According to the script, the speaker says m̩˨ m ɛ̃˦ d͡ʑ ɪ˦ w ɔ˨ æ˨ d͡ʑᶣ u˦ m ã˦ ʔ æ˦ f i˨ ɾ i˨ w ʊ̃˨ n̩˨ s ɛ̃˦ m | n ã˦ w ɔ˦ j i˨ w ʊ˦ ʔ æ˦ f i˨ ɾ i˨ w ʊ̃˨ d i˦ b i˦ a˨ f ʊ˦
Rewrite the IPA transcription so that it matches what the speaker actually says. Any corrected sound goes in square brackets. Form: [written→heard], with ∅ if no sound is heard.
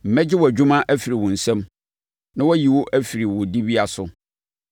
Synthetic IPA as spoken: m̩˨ m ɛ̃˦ d͡ʑ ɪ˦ w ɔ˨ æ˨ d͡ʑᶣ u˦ m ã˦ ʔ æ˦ f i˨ ɾ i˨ w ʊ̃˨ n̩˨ s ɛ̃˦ m | n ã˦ w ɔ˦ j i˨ w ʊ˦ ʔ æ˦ f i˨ ɾ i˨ w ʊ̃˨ d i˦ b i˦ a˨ [f→s] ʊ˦

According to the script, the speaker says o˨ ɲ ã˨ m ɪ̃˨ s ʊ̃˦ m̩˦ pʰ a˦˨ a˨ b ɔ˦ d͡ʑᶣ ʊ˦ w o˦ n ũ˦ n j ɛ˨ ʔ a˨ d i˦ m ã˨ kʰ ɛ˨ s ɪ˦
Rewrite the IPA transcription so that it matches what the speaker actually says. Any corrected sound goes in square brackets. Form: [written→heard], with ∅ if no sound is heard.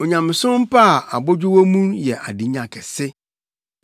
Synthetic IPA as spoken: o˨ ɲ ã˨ m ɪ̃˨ s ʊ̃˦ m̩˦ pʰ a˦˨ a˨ b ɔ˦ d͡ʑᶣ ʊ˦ w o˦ [n→m] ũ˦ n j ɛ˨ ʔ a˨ d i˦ [m→ɲ] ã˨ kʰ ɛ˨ s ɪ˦

